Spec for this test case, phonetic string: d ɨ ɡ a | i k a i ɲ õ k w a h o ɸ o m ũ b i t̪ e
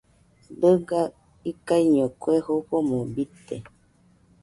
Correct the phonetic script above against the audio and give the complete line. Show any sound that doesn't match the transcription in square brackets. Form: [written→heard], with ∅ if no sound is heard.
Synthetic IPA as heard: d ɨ ɡ a | i k a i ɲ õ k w [a→e] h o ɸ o m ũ b i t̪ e